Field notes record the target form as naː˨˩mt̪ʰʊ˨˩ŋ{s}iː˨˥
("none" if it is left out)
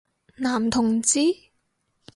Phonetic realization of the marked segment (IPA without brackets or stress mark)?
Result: t͡s